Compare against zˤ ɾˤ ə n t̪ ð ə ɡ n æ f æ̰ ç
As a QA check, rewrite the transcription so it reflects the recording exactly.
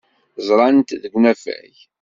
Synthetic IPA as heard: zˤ ɾˤ ɑ n t̪ ð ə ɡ n æ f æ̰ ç